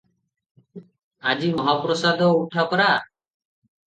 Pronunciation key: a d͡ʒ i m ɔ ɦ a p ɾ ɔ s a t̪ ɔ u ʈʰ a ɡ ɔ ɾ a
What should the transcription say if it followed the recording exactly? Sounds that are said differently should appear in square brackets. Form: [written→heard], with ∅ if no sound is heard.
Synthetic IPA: a d͡ʒ i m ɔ ɦ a p ɾ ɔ s a [t̪→d̪] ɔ u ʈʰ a [ɡ→k] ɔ ɾ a